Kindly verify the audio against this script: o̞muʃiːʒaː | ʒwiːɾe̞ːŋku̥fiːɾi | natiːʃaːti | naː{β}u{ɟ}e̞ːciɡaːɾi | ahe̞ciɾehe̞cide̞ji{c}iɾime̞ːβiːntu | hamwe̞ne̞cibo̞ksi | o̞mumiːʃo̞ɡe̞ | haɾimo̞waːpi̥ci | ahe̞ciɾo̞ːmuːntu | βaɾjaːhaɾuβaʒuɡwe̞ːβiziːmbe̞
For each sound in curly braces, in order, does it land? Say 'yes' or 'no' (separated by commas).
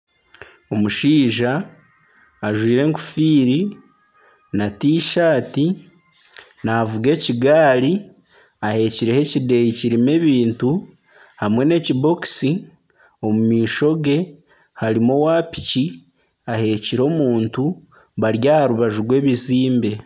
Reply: no, no, yes